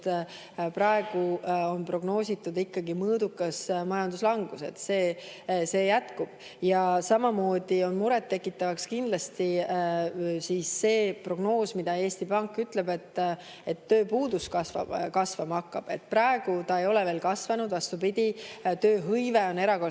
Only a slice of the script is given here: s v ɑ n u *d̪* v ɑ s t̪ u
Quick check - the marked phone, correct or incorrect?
correct